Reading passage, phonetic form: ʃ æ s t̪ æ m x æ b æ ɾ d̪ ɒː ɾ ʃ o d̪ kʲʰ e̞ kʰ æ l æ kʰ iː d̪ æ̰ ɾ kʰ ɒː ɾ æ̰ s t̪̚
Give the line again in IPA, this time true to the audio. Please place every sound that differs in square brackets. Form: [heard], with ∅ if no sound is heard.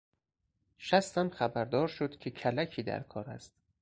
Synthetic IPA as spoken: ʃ æ s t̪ æ m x æ b æ ɾ d̪ ɒː ɾ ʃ o d̪ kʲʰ e̞ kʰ æ l æ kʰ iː d̪ æ̰ ɾ kʰ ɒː ɾ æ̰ s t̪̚